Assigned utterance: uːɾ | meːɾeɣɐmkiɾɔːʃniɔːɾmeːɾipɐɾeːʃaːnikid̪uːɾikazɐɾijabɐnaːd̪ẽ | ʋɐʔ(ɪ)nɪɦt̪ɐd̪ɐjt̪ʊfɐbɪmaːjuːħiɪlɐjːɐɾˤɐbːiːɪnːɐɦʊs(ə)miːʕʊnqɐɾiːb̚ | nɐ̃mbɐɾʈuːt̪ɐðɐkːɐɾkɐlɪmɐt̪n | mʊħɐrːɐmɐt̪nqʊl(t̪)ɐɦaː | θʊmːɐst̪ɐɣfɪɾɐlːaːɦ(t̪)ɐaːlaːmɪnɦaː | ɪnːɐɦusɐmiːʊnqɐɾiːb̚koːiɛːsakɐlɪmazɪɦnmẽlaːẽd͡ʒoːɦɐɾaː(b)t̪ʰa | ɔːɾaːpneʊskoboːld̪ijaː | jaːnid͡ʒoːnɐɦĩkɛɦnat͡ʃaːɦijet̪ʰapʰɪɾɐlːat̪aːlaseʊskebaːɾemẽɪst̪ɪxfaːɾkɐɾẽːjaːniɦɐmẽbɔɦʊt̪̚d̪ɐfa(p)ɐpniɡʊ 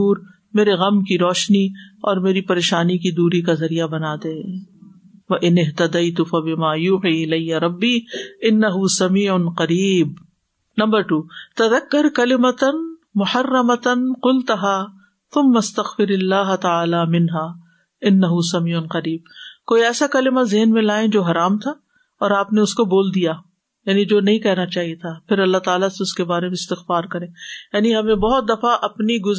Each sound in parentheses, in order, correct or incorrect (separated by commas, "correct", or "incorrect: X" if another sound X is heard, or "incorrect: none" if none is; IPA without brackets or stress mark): correct, incorrect: ɐ, correct, correct, incorrect: m, incorrect: ʔ